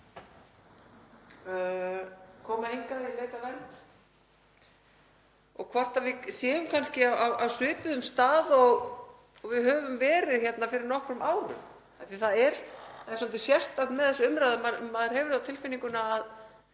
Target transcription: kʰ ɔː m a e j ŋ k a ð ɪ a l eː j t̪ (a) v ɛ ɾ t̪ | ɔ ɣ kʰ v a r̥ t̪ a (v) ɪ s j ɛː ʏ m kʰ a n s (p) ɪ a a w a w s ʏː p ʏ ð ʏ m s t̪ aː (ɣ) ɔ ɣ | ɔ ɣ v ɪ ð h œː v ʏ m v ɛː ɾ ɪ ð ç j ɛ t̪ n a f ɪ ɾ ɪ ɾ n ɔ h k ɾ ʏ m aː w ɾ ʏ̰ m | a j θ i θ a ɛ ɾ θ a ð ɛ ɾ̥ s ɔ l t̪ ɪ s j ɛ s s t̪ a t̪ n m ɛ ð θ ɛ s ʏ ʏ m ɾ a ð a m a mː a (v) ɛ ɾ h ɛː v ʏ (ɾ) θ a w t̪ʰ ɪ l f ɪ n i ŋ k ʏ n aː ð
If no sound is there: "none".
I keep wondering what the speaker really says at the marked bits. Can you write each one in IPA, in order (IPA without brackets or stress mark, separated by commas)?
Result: a, v, c, ð, ð, ɾ